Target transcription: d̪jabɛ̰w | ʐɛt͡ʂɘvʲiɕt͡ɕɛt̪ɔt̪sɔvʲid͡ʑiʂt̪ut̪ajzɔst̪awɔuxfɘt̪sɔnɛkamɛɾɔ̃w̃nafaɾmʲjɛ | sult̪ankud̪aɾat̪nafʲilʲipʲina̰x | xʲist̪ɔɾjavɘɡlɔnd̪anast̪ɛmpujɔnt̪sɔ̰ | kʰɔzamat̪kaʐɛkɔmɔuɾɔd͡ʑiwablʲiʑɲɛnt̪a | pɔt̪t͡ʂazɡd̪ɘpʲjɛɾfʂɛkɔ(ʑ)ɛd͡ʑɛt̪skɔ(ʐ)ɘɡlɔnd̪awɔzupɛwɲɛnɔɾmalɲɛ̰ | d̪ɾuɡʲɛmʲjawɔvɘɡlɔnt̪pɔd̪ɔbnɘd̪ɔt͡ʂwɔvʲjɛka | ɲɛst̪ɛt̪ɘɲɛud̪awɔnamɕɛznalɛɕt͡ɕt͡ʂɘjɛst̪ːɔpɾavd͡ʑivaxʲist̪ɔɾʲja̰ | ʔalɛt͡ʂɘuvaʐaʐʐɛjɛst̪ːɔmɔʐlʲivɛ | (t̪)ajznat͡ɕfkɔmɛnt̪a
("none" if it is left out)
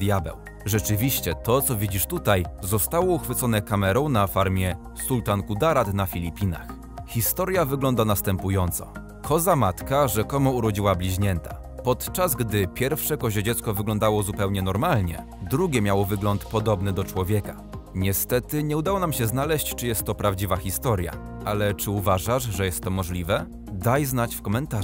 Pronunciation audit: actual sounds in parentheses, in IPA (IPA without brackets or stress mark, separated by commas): ʑ, v, d̪